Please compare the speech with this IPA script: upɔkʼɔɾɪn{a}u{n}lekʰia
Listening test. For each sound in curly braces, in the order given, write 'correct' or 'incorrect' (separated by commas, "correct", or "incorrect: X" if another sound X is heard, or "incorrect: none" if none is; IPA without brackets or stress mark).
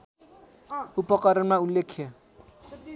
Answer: correct, incorrect: none